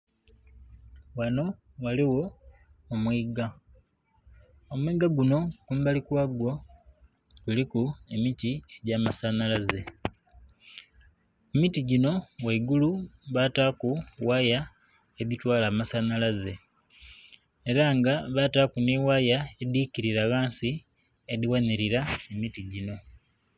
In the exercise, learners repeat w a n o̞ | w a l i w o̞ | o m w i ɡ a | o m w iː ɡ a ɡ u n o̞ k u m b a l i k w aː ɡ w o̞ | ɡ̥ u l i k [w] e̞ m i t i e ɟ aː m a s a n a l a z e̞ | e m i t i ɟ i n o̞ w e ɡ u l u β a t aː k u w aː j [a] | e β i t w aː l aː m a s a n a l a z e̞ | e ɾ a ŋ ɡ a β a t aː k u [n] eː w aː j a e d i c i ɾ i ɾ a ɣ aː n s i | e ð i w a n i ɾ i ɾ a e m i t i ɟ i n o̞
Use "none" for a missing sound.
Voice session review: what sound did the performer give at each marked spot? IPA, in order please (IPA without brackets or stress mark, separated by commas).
u, a, n